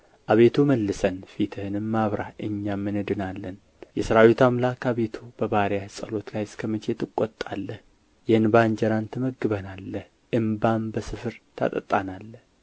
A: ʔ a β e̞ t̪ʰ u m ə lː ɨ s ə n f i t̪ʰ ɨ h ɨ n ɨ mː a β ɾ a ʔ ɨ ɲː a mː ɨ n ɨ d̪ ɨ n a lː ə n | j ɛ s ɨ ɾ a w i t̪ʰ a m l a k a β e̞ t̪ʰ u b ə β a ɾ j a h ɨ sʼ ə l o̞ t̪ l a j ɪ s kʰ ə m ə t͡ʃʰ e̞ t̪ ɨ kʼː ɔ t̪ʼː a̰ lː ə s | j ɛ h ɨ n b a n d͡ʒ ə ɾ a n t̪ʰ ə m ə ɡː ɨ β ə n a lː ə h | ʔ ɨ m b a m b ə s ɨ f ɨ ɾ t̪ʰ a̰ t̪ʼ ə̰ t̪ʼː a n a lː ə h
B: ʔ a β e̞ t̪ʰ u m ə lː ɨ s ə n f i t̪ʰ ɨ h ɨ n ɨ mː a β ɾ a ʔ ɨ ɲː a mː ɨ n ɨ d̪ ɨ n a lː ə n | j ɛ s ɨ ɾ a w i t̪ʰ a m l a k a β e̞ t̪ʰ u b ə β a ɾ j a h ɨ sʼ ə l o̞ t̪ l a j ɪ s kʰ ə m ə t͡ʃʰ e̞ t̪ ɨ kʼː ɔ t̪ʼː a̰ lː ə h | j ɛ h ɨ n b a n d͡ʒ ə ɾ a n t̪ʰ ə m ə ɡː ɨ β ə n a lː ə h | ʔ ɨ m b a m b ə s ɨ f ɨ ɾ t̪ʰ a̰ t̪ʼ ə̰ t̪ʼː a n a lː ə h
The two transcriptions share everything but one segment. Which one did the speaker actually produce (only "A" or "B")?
B